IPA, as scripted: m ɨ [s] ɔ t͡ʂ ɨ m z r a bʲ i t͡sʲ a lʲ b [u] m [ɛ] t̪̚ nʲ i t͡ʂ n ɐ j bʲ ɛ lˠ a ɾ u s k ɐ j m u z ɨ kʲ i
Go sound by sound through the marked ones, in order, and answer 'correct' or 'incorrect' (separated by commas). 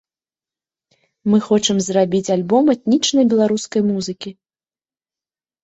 incorrect, incorrect, correct